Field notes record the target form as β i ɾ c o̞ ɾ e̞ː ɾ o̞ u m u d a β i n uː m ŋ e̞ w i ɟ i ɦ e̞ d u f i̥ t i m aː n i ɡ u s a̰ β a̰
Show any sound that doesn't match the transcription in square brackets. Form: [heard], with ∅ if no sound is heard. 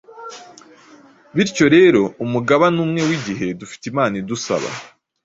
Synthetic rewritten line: β i ɾ c o̞ ɾ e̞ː ɾ o̞ u m u [ɡ] a β [a] n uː m ŋ e̞ w i ɟ i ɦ e̞ d u f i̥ t i m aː n i [d] u s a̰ β a̰